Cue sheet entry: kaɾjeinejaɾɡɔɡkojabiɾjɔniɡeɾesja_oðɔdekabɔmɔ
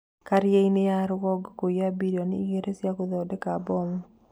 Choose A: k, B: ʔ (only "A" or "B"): A